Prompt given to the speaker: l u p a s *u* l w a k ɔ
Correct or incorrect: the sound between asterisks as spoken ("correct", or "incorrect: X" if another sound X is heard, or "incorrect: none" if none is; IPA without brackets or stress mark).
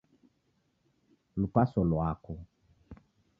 incorrect: ɔ